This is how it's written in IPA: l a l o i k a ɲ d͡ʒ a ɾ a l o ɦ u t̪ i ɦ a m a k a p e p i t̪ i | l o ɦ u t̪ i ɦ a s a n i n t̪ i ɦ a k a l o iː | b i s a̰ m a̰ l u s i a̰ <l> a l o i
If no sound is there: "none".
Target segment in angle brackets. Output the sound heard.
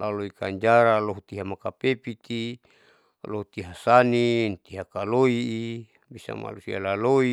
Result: l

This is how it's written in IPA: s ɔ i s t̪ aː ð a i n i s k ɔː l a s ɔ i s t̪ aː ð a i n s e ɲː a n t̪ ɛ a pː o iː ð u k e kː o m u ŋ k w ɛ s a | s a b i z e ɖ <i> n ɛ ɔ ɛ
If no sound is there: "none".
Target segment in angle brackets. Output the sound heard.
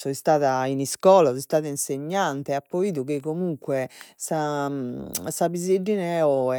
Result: i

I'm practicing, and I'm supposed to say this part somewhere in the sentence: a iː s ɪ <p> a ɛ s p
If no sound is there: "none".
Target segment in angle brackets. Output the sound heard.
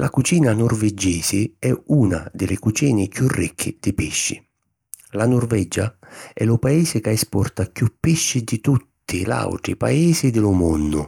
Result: k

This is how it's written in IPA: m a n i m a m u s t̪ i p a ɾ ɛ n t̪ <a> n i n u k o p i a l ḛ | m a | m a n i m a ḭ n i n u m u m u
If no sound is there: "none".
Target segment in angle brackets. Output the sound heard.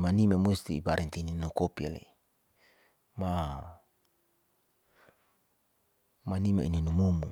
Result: i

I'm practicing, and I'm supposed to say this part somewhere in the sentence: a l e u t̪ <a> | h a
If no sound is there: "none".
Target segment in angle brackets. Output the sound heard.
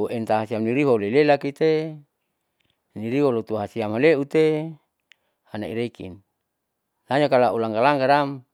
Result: e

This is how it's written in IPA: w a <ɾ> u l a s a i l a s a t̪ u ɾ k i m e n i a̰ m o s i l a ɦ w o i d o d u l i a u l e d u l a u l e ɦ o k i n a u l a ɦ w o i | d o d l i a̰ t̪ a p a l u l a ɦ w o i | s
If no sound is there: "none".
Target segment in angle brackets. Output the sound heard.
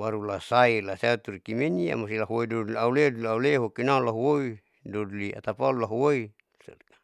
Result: ɾ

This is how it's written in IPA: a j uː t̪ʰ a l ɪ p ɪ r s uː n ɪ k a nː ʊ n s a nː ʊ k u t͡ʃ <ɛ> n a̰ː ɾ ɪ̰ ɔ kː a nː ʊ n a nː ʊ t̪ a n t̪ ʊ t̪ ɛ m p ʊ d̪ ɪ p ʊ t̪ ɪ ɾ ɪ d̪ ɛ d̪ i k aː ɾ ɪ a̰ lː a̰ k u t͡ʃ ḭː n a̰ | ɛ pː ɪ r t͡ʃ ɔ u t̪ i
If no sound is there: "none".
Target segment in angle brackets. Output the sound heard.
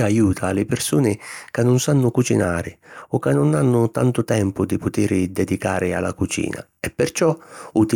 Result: i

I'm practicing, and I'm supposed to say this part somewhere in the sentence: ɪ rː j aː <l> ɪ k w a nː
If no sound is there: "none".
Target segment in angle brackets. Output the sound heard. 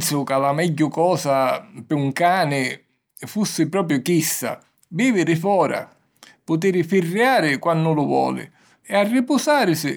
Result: ɾ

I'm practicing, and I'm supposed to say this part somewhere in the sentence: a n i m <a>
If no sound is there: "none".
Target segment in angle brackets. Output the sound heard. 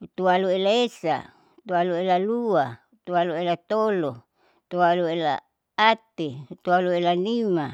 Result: a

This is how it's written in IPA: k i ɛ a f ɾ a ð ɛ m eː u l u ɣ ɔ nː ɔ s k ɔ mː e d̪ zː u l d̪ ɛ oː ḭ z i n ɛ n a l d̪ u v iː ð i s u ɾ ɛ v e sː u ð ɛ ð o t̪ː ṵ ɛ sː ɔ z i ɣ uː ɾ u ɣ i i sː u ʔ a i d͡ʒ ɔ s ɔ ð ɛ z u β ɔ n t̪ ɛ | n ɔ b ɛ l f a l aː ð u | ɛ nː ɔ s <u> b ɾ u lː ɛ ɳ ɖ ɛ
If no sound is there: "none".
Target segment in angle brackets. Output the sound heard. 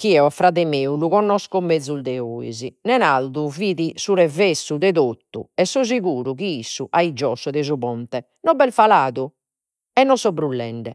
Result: ɔ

